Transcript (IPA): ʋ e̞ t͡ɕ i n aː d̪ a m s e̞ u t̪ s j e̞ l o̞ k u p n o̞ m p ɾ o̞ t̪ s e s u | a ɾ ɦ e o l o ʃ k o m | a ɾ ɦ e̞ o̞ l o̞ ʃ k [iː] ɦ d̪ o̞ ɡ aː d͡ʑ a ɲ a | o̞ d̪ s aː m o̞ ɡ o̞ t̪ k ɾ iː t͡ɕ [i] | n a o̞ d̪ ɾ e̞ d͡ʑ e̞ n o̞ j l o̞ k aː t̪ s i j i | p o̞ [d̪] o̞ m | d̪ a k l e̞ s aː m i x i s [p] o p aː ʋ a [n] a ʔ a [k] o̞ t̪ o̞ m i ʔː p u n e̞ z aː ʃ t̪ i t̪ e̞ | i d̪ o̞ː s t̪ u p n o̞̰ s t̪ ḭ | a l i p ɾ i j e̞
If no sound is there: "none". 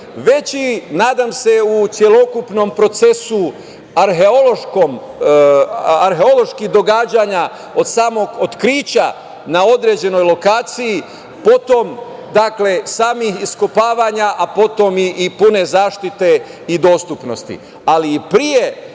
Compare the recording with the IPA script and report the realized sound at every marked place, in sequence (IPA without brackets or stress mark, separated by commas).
i, a, t̪, k, ɲ, p